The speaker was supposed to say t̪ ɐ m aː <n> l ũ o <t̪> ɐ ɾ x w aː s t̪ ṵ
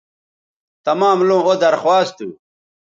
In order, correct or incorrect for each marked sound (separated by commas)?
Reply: incorrect, incorrect